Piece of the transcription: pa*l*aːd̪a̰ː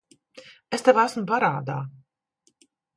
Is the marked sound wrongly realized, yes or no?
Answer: yes